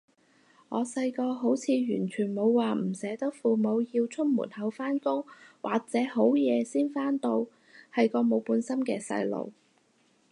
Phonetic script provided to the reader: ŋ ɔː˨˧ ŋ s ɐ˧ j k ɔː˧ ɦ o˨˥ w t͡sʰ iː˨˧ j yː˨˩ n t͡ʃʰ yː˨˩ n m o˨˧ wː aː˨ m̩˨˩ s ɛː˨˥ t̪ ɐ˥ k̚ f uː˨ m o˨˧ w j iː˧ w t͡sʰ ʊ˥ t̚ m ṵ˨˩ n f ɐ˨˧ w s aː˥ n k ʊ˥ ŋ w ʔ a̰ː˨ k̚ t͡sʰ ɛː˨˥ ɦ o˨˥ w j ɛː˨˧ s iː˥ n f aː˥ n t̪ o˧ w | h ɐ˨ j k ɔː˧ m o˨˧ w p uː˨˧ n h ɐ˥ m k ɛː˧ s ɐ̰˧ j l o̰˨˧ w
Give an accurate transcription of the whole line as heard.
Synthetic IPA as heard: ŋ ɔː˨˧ s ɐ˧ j k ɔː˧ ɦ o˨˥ w t͡sʰ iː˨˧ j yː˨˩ n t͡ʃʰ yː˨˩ n m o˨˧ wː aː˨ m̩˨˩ s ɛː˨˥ t̪ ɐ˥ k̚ f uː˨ m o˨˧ w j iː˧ w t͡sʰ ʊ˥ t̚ m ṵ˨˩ n h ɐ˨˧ w f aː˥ n k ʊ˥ ŋ w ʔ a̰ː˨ k̚ t͡s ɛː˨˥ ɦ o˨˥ w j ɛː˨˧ s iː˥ n f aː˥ n t̪ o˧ w | h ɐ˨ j k ɔː˧ m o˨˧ w p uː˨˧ n s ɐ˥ m k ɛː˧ s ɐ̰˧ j l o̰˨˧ w